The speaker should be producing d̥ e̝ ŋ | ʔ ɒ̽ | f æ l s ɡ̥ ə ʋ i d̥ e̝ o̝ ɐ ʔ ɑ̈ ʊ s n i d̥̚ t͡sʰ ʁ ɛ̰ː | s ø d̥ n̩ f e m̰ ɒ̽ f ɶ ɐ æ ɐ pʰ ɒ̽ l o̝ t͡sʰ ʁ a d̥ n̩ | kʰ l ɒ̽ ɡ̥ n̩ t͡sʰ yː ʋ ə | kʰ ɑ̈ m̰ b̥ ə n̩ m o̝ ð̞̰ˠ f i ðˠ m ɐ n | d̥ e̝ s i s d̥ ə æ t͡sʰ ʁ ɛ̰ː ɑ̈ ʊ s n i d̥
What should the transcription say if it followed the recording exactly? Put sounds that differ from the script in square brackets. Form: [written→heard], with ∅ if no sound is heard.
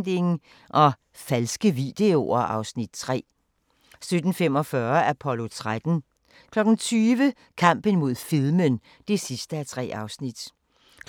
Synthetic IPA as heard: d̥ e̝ ŋ | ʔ ɒ̽ | f æ l s ɡ̥ ə ʋ i d̥ e̝ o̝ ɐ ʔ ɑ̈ ʊ s n i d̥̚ t͡sʰ ʁ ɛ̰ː | s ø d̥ n̩ f e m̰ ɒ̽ f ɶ ɐ æ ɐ pʰ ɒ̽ l o̝ t͡sʰ ʁ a d̥ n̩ | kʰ l ɒ̽ ɡ̥ n̩ t͡sʰ yː ʋ ə | kʰ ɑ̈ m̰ b̥ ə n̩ m o̝ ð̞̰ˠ f i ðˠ m [ɐ→ə] n | d̥ e̝ s i s d̥ ə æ t͡sʰ ʁ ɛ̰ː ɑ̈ ʊ s n i d̥